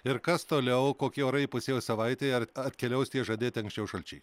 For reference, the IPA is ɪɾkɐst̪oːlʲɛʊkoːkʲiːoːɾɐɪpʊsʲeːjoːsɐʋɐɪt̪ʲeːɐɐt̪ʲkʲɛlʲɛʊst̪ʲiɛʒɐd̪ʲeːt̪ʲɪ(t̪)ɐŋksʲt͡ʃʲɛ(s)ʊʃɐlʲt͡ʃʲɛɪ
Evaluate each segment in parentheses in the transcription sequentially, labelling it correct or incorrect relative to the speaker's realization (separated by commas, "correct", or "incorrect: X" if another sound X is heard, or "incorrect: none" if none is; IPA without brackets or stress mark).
incorrect: none, incorrect: none